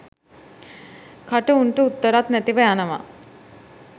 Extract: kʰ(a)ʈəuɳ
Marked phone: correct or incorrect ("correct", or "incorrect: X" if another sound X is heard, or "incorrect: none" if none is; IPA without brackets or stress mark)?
correct